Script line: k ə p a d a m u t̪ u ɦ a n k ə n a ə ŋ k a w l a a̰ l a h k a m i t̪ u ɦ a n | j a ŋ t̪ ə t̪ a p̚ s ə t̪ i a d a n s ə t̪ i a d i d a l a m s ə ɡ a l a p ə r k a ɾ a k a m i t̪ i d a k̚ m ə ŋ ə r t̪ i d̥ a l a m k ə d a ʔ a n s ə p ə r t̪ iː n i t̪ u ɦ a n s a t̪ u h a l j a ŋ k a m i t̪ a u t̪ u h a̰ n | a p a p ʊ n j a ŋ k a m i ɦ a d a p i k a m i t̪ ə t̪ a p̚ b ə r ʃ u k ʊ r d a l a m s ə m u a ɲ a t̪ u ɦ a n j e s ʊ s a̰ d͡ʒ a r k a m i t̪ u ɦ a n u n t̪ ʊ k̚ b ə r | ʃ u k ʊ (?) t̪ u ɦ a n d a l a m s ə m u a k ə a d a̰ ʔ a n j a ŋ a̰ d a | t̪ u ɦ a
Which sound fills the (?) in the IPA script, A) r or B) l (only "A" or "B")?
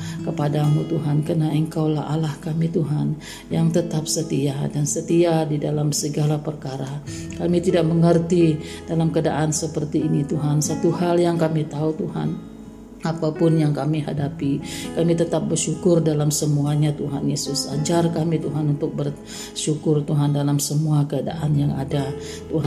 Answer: A